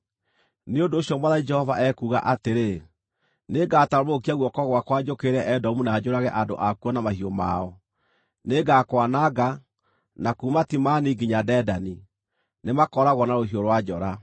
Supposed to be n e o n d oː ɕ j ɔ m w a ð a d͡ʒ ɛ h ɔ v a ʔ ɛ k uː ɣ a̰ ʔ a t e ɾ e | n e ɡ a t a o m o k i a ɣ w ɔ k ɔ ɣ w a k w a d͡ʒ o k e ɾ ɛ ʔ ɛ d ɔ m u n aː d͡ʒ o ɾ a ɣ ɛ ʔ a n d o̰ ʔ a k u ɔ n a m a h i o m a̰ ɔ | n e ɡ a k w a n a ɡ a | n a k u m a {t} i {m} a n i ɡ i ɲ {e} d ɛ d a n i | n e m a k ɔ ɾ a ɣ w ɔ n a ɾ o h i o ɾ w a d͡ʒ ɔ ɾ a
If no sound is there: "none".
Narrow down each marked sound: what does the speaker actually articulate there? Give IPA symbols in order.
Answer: t, m, a

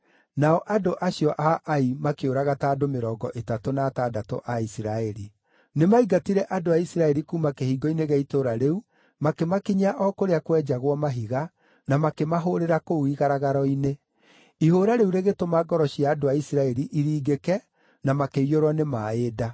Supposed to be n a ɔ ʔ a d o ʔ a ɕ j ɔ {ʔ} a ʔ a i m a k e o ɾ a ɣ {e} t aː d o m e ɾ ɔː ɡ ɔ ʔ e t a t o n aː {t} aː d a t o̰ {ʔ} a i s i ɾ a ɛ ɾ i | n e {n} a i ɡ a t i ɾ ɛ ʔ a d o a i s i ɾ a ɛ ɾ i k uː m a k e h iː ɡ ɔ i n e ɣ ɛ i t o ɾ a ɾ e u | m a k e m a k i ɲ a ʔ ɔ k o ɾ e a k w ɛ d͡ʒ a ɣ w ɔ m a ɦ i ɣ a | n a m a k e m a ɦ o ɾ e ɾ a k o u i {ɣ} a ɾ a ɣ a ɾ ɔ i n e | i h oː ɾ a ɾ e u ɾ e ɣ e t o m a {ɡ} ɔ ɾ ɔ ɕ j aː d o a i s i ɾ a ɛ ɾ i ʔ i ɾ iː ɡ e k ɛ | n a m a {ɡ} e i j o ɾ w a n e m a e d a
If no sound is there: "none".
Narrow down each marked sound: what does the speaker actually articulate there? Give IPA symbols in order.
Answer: ʔ, a, t, ʔ, m, ɣ, ɡ, k

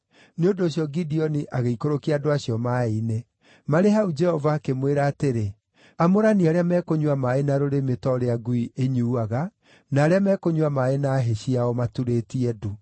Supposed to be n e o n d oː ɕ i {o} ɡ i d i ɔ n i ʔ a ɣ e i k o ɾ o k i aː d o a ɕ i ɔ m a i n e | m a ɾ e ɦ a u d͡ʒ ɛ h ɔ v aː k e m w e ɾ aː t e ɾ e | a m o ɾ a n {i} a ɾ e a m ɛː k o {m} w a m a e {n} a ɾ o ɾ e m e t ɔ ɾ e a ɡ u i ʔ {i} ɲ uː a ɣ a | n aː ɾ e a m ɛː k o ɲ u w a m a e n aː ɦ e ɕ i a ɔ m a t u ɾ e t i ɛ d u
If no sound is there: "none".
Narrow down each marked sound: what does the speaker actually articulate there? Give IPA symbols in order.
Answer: ɔ, i, ɲ, n, e

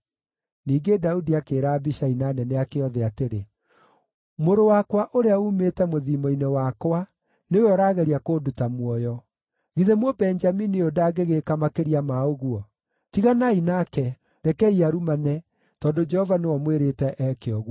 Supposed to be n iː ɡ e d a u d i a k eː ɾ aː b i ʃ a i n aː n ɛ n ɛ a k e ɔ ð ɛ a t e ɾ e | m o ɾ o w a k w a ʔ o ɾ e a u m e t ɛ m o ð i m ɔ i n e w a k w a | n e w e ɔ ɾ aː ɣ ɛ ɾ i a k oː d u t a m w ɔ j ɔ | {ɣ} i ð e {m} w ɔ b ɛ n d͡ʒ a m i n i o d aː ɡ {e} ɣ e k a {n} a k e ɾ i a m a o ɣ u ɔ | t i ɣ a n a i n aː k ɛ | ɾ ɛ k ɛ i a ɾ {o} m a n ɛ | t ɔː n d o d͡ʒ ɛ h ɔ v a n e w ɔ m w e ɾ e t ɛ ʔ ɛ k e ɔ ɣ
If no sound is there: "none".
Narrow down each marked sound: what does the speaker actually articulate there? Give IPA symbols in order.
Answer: ɣ, m, e, m, u

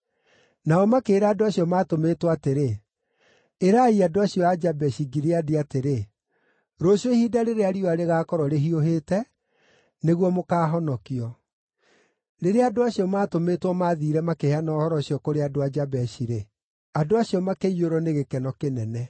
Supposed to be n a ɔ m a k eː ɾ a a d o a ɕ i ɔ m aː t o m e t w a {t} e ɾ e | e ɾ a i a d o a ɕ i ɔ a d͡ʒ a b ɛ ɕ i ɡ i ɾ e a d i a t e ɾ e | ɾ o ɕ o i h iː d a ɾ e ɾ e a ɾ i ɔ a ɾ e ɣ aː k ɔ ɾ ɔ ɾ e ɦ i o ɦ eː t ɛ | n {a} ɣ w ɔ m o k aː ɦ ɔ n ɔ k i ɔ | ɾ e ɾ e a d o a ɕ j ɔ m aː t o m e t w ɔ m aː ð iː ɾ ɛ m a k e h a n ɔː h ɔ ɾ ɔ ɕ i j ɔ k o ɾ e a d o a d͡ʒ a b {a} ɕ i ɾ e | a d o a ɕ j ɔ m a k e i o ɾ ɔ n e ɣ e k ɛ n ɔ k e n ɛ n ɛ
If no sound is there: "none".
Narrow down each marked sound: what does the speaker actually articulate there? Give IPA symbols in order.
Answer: t, e, ɛ

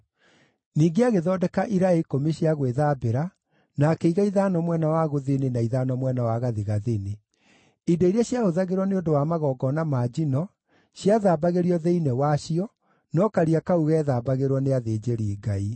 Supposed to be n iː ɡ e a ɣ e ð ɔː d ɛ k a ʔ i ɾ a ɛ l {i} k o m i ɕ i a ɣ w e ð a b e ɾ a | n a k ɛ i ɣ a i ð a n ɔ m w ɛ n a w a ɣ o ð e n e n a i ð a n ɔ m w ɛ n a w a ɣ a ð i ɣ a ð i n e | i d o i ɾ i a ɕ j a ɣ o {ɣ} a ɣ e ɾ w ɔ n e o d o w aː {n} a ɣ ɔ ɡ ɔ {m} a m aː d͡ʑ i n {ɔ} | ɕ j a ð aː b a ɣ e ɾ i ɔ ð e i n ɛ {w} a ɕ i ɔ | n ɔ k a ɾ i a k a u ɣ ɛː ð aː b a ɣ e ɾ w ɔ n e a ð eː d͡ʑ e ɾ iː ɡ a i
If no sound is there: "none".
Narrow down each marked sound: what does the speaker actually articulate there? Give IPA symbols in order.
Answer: i, ð, m, n, ɔ, w

